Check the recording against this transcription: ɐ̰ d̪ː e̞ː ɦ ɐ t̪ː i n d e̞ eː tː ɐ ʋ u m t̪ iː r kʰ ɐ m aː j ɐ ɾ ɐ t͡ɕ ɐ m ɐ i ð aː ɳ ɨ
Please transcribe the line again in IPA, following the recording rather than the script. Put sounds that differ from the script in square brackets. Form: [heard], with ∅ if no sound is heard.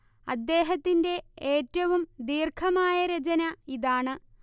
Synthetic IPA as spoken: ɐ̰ d̪ː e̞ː ɦ ɐ t̪ː i n d e̞ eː tː ɐ ʋ u m [d̪] iː r kʰ ɐ m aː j ɐ ɾ ɐ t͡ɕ ɐ [n] ɐ i ð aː ɳ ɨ